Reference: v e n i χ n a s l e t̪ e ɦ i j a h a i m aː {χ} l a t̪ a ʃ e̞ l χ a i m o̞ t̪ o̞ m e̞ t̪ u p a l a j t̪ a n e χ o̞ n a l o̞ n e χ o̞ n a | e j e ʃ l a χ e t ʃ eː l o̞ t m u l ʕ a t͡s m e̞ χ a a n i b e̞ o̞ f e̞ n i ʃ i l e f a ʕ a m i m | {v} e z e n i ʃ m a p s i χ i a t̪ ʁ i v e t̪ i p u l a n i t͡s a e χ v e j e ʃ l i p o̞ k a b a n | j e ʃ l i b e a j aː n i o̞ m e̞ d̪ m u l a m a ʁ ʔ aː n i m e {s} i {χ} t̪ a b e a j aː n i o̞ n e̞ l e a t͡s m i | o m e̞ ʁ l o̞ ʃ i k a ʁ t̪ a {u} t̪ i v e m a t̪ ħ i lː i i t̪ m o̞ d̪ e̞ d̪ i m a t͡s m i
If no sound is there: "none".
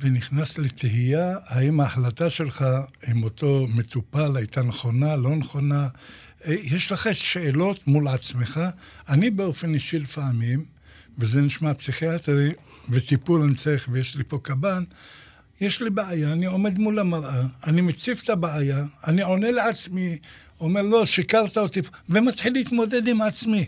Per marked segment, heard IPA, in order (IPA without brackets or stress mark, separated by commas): ħ, v, t͡s, f, o